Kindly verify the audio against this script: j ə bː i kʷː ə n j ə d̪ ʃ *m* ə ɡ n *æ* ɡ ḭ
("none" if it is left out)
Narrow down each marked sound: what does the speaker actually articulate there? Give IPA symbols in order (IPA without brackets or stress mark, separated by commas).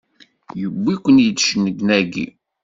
n, æ